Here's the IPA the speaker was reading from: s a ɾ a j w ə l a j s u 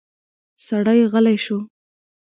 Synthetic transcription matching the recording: s a ɽ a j ɣ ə l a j ʃ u